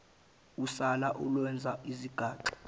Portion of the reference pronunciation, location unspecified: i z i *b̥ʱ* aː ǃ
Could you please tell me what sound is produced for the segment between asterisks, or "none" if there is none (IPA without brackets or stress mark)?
ɡ̥ʱ